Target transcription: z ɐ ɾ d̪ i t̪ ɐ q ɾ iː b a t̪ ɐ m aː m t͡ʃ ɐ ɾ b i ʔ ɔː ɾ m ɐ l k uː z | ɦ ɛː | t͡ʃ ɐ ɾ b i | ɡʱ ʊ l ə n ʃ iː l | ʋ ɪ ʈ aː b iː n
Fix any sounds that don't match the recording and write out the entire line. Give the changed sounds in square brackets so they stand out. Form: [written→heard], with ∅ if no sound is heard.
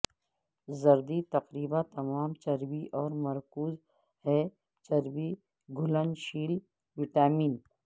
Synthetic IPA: z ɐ ɾ d̪ i t̪ ɐ q ɾ iː b a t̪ ɐ m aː m t͡ʃ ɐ ɾ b i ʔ ɔː ɾ m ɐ [l→ɾ] k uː z | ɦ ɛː | t͡ʃ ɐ ɾ b i | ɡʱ ʊ l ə n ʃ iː l | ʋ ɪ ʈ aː [b→m] iː n

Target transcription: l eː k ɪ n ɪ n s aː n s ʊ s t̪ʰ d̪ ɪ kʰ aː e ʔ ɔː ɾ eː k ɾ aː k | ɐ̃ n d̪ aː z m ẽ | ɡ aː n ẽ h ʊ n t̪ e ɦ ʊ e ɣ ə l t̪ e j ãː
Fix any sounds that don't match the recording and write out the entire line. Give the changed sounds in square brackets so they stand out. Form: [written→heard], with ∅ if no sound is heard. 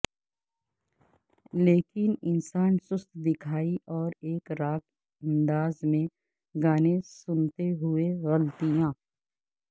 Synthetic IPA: l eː k ɪ n ɪ n s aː n s ʊ s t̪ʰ d̪ ɪ kʰ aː [e→i] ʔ ɔː ɾ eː k ɾ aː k | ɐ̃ n d̪ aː z m ẽ | ɡ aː n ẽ [h→s] ʊ n t̪ e ɦ ʊ e ɣ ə l t̪ [e→i] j ãː

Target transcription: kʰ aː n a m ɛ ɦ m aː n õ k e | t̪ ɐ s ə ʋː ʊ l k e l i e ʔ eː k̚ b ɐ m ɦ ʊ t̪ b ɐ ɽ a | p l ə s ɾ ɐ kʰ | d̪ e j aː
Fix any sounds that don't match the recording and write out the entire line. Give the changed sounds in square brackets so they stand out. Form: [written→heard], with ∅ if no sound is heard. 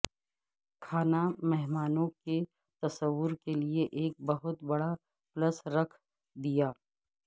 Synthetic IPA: kʰ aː n a m ɛ ɦ m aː n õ k e | t̪ ɐ s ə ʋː ʊ [l→ɾ] k e l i e ʔ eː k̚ b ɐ [m→∅] ɦ ʊ t̪ b ɐ ɽ a | p l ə s ɾ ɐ kʰ | d̪ [e→i] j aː

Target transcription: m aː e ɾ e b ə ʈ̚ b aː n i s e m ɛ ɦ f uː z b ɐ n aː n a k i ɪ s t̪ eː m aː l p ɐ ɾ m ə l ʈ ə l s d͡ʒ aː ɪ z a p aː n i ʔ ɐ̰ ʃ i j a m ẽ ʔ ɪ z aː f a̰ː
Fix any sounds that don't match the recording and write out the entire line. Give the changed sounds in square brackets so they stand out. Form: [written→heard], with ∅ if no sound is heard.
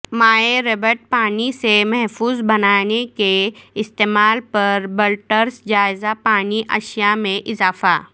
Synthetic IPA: m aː e ɾ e b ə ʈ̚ [b→p] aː n i s e m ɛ ɦ f uː z b ɐ n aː n [a→e] k [i→e] ɪ s t̪ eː m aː l p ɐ ɾ [m→b] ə l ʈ ə [l→ɾ] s d͡ʒ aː ɪ z a p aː n i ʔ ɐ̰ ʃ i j a m ẽ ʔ ɪ z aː f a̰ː

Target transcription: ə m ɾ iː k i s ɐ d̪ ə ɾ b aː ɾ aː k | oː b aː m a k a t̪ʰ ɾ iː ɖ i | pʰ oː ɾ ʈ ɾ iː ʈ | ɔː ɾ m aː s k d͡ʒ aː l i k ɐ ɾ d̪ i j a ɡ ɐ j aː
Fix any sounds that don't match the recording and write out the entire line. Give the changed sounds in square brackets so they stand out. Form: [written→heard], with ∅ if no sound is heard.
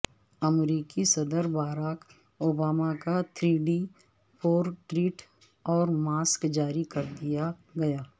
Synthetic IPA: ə m ɾ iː k i s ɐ d̪ ə ɾ b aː ɾ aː k | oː b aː m a k a t̪ʰ ɾ iː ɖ i | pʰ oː ɾ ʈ ɾ iː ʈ | ɔː ɾ m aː s k d͡ʒ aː [l→ɾ] i k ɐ ɾ d̪ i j a ɡ ɐ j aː

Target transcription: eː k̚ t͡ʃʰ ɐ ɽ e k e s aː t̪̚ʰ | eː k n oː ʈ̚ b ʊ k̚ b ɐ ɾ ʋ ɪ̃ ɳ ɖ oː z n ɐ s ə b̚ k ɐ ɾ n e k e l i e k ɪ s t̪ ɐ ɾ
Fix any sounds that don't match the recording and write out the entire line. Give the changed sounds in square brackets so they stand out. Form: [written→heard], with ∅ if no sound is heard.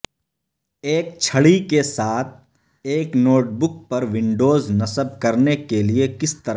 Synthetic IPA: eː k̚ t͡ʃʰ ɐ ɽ [e→i] k e s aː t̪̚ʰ | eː k n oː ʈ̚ b ʊ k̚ [b→p] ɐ ɾ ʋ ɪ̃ ɳ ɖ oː z n ɐ s ə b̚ k ɐ ɾ n e k e l i e k ɪ s t̪ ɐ ɾ

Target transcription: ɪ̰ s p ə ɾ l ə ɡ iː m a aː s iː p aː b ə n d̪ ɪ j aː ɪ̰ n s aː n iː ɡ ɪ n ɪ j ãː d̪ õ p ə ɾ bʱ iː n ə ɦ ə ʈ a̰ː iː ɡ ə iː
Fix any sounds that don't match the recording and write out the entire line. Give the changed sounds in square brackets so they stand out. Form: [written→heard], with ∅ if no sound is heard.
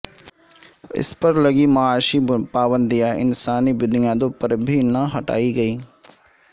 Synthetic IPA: ɪ̰ s p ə ɾ l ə ɡ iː m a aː [s→ʃ] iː p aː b ə n d̪ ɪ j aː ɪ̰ n s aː n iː [ɡ→b] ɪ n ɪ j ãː d̪ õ p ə ɾ bʱ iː n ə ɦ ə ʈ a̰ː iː ɡ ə iː

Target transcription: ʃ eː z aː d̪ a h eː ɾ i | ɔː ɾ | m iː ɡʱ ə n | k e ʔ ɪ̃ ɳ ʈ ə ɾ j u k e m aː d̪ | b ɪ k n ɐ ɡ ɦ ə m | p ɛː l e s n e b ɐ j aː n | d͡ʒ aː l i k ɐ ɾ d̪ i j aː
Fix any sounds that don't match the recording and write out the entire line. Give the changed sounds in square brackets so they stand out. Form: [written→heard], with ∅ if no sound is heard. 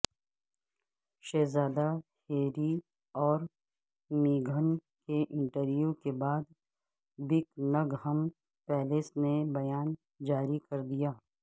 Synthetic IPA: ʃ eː z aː d̪ a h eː ɾ i | ɔː ɾ | m iː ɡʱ ə n | k e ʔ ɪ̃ ɳ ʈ ə ɾ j u k e [m→b] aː d̪ | b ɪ k n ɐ ɡ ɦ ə m | p ɛː l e s n e b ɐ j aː n | d͡ʒ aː [l→ɾ] i k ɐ ɾ d̪ i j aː

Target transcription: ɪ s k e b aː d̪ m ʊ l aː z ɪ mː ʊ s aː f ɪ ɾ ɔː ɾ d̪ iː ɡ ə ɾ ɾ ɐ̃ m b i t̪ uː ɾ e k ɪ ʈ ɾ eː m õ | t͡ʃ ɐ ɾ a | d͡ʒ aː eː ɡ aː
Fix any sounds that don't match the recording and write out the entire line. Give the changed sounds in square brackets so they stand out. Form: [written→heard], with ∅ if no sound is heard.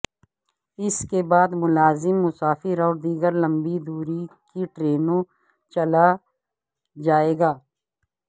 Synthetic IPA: ɪ s k e b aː d̪ m ʊ l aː z ɪ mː ʊ s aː f ɪ ɾ ɔː ɾ d̪ iː ɡ ə ɾ [ɾ→l] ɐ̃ m b i [t̪→d̪] uː ɾ [e→i] k [ɪ→i] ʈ ɾ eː [m→n] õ | t͡ʃ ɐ [ɾ→l] a | d͡ʒ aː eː ɡ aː

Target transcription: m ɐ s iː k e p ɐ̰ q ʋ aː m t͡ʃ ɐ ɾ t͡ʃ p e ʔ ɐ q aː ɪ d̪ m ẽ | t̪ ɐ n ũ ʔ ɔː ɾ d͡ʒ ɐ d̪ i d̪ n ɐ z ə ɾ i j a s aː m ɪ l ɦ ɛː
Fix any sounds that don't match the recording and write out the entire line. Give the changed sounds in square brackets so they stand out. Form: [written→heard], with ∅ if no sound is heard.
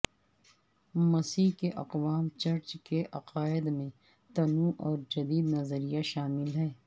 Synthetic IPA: m ɐ s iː k e [p→ʔ] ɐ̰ q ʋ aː m t͡ʃ ɐ ɾ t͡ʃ [p→k] e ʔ ɐ q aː ɪ d̪ m ẽ | t̪ ɐ n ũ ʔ ɔː ɾ d͡ʒ ɐ d̪ [i→iː] d̪ n ɐ z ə ɾ i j a [s→ʃ] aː m ɪ l ɦ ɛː

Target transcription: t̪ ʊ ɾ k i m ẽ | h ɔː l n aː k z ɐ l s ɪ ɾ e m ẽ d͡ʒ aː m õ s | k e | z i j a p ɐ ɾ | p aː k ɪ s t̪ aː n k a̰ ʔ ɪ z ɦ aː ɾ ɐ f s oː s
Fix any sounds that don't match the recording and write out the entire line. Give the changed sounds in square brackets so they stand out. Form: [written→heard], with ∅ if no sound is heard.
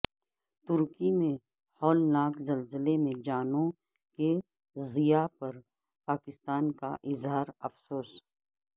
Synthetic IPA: t̪ ʊ ɾ k i m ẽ | h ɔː l n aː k z ɐ l [s→z] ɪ [ɾ→l] e m ẽ d͡ʒ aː [m→n] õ [s→∅] | k e | z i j a p ɐ ɾ | p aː k ɪ s t̪ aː n k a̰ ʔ ɪ z ɦ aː ɾ ɐ f s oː s

